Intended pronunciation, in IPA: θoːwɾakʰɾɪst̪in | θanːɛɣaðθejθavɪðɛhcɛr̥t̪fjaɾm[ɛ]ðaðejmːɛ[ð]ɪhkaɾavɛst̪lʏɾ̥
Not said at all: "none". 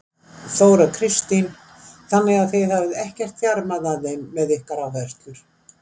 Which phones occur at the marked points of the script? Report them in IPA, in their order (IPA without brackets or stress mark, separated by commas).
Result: a, ð